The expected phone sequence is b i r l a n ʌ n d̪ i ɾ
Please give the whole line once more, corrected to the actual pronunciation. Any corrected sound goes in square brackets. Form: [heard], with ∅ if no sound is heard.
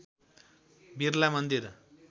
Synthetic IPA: b i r l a [m] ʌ n d̪ i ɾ